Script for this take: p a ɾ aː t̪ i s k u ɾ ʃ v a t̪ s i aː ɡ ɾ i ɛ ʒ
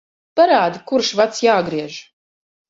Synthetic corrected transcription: p a ɾ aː d̪ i k u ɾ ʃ v a t̪ s j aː ɡ ɾ i ɛ ʒ